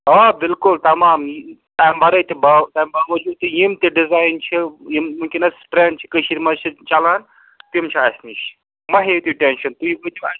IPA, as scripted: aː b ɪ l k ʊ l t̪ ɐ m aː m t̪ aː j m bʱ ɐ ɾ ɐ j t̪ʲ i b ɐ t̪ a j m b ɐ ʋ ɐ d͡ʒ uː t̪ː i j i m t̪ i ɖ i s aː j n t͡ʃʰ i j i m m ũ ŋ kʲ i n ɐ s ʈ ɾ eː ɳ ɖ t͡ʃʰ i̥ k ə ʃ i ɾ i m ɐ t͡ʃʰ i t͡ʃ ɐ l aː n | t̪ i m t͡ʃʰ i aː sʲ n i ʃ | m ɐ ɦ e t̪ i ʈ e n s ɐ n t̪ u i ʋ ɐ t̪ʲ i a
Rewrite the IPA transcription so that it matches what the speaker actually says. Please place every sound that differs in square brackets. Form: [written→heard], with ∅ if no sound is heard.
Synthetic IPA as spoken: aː b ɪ l k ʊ l t̪ ɐ m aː m t̪ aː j m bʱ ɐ ɾ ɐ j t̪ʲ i b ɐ t̪ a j m b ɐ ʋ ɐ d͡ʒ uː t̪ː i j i m t̪ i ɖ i [s→z] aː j n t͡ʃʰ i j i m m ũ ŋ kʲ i n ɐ s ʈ ɾ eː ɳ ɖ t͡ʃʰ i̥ k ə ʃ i ɾ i m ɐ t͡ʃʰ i t͡ʃ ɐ l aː n | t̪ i m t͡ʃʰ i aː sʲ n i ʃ | m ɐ ɦ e t̪ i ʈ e n [s→ʃ] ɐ n t̪ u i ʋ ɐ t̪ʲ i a